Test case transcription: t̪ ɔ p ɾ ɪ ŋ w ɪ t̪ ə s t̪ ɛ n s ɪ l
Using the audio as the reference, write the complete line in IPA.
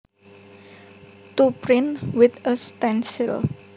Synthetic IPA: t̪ u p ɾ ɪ n w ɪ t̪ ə s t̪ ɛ n s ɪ l